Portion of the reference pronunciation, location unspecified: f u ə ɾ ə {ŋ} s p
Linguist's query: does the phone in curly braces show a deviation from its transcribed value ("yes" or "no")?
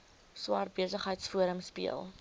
yes